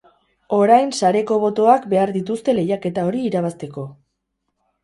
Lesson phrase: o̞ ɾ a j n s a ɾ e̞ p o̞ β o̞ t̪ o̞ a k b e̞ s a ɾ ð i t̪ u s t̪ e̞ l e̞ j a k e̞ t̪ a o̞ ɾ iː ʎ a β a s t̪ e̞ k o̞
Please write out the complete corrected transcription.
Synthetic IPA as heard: o̞ ɾ a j n s a ɾ e̞ k o̞ β o̞ t̪ o̞ a k b e̞ a ɾ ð i t̪ u s t̪ e̞ l e̞ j a k e̞ t̪ a o̞ ɾ iː ɾ a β a s t̪ e̞ k o̞

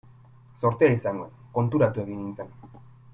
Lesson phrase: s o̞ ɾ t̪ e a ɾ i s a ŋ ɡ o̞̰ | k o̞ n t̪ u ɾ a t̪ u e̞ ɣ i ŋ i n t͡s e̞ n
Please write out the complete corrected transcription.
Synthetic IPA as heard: s o̞ ɾ t̪ e a i s a ŋ ɡ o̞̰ | k o̞ n t̪ u ɾ a t̪ u e̞ ɣ i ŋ i n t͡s e̞ n

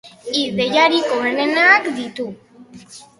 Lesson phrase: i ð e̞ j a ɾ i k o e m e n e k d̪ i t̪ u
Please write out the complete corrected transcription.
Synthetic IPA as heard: i ð e̞ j a ɾ i k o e n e n a k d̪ i t̪ u

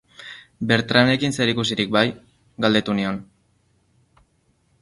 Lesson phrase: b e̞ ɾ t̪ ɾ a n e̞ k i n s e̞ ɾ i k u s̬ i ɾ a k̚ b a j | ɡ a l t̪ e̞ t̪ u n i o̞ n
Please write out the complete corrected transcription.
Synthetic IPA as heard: b e̞ ɾ t̪ ɾ a n e̞ k i n s e̞ ɾ i k u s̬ i ɾ i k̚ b a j | ɡ a l d̪ e̞ t̪ u n i o̞ n

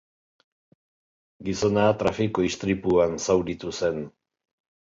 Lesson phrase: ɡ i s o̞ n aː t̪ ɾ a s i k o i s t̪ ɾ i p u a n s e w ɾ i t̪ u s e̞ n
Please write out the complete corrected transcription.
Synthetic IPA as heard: ɡ i s o̞ n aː t̪ ɾ a f i k o i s t̪ ɾ i p u a n s a w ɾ i t̪ u s e̞ n

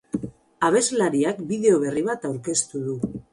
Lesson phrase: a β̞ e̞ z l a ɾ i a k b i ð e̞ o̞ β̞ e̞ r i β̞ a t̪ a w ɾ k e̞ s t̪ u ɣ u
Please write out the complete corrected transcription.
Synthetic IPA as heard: a β̞ e̞ z l a ɾ i a k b i ð e̞ o̞ β̞ e̞ r i β̞ a t̪ a w ɾ k e̞ s t̪ u ð u

